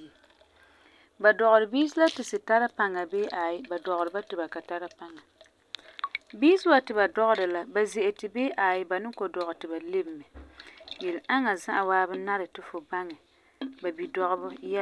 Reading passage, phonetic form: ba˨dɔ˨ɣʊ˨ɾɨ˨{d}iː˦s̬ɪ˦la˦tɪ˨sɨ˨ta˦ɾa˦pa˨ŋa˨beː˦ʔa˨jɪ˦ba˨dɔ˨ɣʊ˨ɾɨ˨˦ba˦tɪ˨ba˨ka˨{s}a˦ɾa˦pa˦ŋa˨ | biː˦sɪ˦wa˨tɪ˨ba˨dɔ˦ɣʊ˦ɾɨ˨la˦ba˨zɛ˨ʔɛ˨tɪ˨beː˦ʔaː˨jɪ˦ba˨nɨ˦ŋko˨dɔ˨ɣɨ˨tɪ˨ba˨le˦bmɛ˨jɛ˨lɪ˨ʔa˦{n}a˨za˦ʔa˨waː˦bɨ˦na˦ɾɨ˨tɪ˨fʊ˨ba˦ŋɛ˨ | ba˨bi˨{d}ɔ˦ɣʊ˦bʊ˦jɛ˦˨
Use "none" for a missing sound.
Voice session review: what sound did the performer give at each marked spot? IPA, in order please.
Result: b, t, ŋ, d

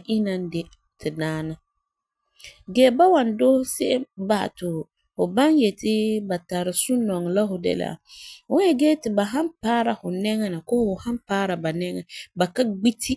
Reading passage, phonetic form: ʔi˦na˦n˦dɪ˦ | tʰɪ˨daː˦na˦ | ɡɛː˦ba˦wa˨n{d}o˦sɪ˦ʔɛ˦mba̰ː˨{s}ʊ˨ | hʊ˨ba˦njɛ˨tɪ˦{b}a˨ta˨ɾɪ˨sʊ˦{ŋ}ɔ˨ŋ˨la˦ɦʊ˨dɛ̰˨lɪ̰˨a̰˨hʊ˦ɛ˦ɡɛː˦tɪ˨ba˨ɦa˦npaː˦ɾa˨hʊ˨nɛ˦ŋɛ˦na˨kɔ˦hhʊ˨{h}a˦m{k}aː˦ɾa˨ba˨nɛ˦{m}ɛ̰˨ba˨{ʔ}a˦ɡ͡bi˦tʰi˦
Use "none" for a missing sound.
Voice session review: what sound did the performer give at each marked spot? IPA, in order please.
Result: d, t, b, n, h, p, ŋ, k

